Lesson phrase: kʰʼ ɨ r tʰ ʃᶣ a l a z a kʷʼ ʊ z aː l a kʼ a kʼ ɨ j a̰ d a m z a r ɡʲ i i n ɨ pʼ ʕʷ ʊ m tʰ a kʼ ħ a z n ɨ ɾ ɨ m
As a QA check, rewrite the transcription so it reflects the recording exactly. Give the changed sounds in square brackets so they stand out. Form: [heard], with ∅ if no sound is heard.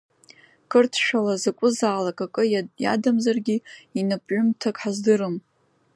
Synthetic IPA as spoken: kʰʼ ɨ r tʰ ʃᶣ a l a z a kʷʼ ʊ z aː l a kʼ a kʼ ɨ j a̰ d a m z a r ɡʲ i i n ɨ pʼ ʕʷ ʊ m tʰ a kʼ ħ a z [d] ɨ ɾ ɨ m